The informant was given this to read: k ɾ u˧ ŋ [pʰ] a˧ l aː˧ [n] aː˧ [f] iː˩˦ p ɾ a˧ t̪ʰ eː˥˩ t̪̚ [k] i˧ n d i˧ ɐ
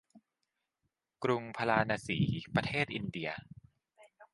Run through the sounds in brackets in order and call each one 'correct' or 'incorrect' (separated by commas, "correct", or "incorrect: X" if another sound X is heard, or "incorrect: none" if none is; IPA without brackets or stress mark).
correct, correct, incorrect: s, incorrect: ʔ